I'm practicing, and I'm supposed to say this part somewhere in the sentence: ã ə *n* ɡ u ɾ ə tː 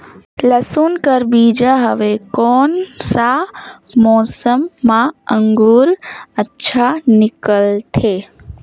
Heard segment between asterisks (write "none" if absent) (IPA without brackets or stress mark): ŋ